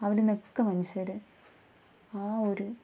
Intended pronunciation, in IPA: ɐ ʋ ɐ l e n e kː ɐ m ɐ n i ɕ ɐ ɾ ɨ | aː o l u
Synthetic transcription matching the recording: ɐ ʋ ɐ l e n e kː ɐ m ɐ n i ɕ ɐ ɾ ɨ | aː o ɾ u